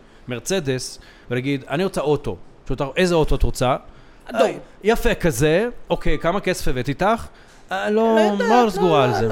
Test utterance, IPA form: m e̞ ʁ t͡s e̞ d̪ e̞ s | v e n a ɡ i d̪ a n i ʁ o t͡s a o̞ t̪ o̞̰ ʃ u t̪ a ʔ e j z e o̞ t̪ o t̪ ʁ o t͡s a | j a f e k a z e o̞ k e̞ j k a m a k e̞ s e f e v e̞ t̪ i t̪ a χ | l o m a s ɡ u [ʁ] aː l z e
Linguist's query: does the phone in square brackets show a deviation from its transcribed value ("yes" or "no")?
no